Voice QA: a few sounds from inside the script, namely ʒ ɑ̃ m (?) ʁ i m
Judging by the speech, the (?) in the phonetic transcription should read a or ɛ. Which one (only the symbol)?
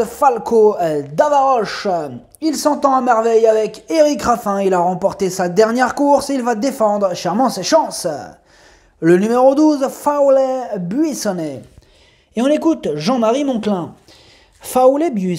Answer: a